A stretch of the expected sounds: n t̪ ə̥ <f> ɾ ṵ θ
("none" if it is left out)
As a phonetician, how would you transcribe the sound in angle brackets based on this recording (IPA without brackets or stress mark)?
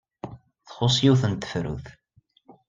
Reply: f